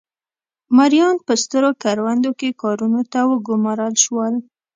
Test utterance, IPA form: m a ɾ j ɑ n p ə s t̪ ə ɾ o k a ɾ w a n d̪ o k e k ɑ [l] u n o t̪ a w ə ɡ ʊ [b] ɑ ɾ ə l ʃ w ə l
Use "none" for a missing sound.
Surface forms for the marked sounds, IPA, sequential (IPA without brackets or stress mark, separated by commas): ɾ, m